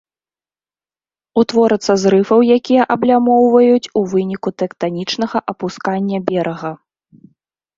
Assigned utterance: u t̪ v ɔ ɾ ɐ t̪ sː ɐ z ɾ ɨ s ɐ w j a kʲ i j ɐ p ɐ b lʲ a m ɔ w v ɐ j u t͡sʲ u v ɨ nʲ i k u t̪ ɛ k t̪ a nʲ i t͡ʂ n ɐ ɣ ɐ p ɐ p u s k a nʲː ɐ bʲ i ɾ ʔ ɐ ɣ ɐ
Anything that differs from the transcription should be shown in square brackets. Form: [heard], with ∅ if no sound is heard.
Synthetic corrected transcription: u t̪ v ɔ ɾ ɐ t̪ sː ɐ z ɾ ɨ [f] ɐ w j a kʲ i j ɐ [ʔ] ɐ b lʲ a m ɔ w v ɐ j u t͡sʲ u v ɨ nʲ i k u t̪ ɛ k t̪ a nʲ i t͡ʂ n ɐ ɣ ɐ [ʔ] ɐ p u s k a nʲː ɐ bʲ [ɛ] ɾ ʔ ɐ ɣ ɐ

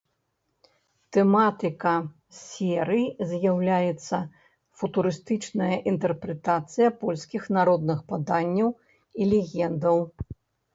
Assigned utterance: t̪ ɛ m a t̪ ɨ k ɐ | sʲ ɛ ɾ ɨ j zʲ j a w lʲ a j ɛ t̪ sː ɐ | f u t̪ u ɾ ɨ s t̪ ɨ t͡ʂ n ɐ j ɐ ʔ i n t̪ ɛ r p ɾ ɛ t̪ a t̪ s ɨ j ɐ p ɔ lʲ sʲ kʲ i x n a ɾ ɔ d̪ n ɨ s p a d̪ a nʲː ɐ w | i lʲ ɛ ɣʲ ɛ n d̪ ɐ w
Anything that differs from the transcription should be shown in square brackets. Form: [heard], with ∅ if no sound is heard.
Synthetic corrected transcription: t̪ ɛ m a t̪ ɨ k ɐ | sʲ ɛ ɾ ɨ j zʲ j a w lʲ a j ɛ t̪ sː ɐ | f u t̪ u ɾ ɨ s t̪ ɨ t͡ʂ n ɐ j ɐ ʔ i n t̪ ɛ r p ɾ ɛ t̪ a t̪ s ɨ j ɐ p ɔ lʲ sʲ kʲ i x n a ɾ ɔ d̪ n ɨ [x] p a d̪ a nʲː ɐ w | i lʲ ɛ ɣʲ ɛ n d̪ ɐ w

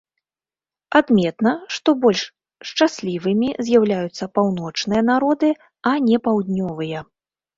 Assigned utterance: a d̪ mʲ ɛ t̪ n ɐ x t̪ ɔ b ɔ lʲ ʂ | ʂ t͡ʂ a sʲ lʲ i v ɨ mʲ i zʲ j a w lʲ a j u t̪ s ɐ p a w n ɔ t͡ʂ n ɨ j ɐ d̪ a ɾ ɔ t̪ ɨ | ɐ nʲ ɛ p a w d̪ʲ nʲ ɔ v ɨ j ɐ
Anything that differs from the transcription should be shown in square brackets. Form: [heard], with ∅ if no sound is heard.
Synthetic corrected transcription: a d̪ mʲ ɛ t̪ n ɐ [ʂ] t̪ ɔ b ɔ lʲ ʂ | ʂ t͡ʂ a sʲ lʲ i v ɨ mʲ i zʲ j a w lʲ a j u t̪ [sː] ɐ p a w n ɔ t͡ʂ n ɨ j ɐ [n̪] a ɾ ɔ [d̪] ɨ | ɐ nʲ ɛ p a w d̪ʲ nʲ ɔ v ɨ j ɐ

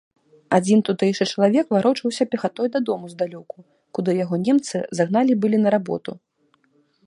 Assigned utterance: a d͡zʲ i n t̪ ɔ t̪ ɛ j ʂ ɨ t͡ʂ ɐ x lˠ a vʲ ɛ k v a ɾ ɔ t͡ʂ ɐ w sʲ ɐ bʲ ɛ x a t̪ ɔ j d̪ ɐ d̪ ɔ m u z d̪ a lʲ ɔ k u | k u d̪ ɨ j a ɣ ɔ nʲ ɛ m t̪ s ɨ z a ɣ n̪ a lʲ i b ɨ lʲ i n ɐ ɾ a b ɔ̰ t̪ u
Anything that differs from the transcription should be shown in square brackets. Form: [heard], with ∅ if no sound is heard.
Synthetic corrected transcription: a d͡zʲ i n t̪ [u] t̪ ɛ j ʂ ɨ t͡ʂ ɐ [∅] lˠ a vʲ ɛ k v a ɾ ɔ t͡ʂ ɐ w sʲ ɐ [pʲ] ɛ x a t̪ ɔ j d̪ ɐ d̪ ɔ m u z d̪ a lʲ ɔ k u | k u d̪ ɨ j a ɣ ɔ nʲ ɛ m t̪ s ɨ z a ɣ n̪ a lʲ i b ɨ lʲ i n ɐ ɾ a b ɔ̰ t̪ u

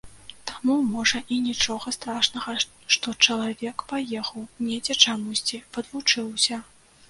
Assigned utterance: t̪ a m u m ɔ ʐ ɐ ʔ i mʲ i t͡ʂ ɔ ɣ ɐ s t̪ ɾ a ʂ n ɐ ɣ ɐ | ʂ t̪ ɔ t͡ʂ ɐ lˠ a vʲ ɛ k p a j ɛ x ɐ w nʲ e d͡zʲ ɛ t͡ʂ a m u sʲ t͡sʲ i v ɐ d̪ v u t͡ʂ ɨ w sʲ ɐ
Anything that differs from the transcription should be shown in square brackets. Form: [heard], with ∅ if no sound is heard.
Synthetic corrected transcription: t̪ a m u m ɔ ʐ ɐ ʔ i [nʲ] i t͡ʂ ɔ ɣ ɐ s t̪ ɾ a ʂ n ɐ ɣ ɐ | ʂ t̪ ɔ t͡ʂ ɐ lˠ a vʲ ɛ k p a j ɛ x ɐ w nʲ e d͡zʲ ɛ t͡ʂ a m u sʲ t͡sʲ i v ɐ d̪ v u t͡ʂ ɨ w sʲ ɐ

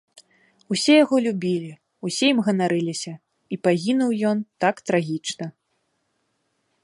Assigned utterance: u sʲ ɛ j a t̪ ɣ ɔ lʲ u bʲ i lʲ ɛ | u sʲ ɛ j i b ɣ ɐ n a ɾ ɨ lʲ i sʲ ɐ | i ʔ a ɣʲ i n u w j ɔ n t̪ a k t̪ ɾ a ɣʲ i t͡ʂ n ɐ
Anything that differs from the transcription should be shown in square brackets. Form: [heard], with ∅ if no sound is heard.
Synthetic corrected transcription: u sʲ ɛ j a [∅] ɣ ɔ lʲ u bʲ i lʲ [i] | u sʲ ɛ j i [m] ɣ ɐ n a ɾ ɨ lʲ i sʲ ɐ | i [p] a ɣʲ i n u w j ɔ n t̪ a k t̪ ɾ a ɣʲ i t͡ʂ n ɐ

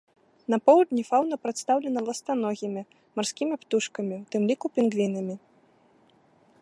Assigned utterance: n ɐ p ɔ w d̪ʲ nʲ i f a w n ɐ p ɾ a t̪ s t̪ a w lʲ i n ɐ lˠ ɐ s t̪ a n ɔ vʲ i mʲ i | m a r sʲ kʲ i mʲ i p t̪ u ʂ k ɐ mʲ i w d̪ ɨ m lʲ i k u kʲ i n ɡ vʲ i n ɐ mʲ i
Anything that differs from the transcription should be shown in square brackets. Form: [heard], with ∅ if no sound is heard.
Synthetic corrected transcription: n ɐ p ɔ w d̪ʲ nʲ i f a w n ɐ p ɾ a t̪ s t̪ a w lʲ [ɛ] n ɐ lˠ ɐ s t̪ a n ɔ [ɣʲ] i mʲ i | m a r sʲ kʲ i mʲ i p t̪ u ʂ k ɐ mʲ i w [t̪] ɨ m lʲ i k u [pʲ] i n ɡ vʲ i n ɐ mʲ i

